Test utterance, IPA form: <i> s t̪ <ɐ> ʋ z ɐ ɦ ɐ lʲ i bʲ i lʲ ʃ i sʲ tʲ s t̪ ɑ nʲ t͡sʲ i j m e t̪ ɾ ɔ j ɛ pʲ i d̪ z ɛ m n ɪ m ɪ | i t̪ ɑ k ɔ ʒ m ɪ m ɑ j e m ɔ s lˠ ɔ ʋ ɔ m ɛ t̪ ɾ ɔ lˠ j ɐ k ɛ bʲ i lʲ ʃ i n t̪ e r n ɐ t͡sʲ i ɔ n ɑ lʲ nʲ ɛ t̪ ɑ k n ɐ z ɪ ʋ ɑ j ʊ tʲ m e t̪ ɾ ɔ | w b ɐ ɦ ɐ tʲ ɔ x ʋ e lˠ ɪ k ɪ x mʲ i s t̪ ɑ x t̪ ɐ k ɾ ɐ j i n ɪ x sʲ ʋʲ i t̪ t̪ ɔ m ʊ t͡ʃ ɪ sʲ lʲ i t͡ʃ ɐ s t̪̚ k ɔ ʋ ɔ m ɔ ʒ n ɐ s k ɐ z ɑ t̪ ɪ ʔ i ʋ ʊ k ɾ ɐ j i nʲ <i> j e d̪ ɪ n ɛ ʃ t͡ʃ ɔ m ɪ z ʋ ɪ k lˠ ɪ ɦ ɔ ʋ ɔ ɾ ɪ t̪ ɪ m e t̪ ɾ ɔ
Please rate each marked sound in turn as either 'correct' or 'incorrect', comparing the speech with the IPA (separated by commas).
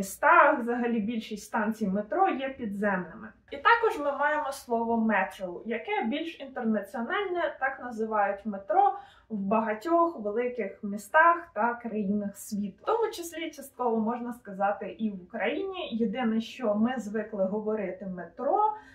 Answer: correct, incorrect, correct